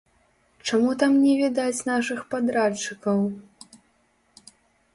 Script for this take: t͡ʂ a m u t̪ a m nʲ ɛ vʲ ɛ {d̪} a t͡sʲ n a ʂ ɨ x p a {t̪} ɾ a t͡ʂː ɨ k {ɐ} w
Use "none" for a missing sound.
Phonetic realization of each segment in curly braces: d̪, d̪, ɐ

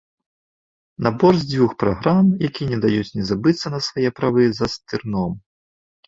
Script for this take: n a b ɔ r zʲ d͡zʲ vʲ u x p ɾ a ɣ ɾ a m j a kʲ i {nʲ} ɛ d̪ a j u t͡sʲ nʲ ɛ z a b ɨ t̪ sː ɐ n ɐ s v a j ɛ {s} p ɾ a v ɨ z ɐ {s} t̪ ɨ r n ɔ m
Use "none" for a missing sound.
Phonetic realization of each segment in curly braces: nʲ, none, s

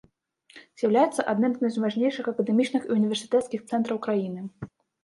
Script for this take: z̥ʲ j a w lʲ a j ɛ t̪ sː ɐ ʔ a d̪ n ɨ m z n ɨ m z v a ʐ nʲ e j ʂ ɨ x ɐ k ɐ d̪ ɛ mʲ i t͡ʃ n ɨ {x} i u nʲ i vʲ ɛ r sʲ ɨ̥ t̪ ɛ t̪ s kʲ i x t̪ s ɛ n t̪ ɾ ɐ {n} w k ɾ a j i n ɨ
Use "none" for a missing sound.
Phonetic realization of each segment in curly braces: x, none

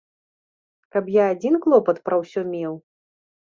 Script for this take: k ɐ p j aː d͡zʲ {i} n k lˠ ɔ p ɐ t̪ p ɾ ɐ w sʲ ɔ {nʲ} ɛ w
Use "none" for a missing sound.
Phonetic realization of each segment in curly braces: i, mʲ

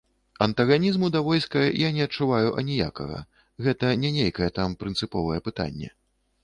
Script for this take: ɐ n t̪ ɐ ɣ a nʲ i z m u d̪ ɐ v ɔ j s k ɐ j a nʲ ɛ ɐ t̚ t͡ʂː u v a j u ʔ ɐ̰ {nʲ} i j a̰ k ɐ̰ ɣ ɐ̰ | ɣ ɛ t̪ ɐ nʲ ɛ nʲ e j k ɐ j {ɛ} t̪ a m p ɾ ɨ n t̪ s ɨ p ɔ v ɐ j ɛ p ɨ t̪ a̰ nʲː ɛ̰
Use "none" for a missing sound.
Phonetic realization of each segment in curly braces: nʲ, ɛ

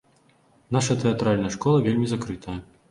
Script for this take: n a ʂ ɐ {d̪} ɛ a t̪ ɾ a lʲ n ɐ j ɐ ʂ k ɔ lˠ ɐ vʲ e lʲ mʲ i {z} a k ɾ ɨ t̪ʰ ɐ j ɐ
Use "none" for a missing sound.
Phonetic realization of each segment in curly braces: t̪, z

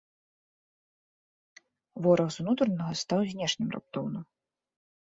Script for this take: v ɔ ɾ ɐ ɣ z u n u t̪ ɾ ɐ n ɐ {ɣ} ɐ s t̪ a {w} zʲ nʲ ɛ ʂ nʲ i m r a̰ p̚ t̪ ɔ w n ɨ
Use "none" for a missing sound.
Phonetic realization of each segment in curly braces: ɣ, w

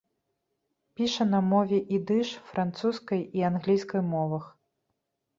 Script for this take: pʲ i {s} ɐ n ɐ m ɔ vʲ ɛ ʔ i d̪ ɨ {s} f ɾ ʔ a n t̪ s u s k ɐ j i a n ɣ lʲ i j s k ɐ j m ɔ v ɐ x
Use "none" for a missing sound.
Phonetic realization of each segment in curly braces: ʂ, ʂ

